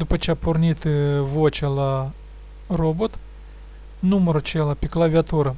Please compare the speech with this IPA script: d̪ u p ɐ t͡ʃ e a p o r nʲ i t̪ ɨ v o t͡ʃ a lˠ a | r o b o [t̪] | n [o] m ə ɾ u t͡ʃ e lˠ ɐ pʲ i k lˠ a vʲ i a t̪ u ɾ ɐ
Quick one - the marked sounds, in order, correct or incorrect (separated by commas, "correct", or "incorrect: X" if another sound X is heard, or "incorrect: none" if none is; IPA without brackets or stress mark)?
correct, incorrect: u